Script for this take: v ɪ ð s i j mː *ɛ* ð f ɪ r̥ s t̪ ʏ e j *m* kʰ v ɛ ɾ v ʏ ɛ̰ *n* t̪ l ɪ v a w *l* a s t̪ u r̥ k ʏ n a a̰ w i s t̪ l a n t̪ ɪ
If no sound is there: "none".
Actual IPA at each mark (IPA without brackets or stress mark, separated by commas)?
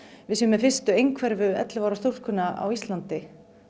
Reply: ɛ, ŋ, none, ɾ